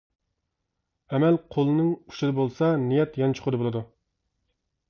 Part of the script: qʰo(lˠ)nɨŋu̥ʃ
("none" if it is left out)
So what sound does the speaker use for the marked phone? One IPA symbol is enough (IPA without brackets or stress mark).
lˠ